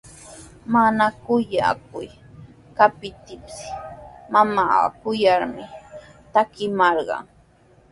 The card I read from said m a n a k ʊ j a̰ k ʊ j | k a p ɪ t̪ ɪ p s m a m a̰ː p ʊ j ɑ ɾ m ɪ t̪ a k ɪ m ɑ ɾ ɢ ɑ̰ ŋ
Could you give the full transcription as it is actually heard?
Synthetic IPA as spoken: m a n a k ʊ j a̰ k ʊ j | k a p ɪ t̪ ɪ p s m a m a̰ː k ʊ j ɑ ɾ m ɪ t̪ a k ɪ m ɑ ɾ ɢ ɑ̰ ŋ